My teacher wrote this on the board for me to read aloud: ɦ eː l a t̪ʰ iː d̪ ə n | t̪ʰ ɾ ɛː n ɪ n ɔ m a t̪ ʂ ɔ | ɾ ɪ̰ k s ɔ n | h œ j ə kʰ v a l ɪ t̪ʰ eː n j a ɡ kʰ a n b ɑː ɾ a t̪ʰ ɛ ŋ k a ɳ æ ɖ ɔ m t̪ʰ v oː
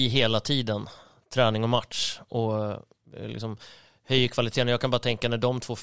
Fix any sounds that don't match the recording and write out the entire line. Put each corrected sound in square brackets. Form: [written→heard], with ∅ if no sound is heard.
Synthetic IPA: ɦ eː l a t̪ʰ iː d̪ ə n | t̪ʰ ɾ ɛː n ɪ [n→ŋ] ɔ m a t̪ ʂ ɔ | [ɾ→l] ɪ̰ k s ɔ [n→m] | h œ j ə kʰ v a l ɪ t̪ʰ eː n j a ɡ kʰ a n b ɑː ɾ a t̪ʰ ɛ ŋ k a [ɳ→n] æ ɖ ɔ m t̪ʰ v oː